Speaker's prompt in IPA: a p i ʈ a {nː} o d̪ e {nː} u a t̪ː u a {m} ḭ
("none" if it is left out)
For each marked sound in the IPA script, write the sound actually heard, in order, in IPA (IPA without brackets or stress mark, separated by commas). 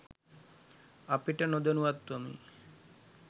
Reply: n, n, m